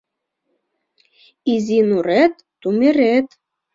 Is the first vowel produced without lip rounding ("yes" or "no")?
yes